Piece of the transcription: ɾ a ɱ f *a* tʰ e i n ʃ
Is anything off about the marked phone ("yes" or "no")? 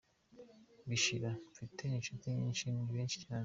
yes